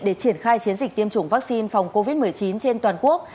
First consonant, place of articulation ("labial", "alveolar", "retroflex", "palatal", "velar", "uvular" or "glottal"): alveolar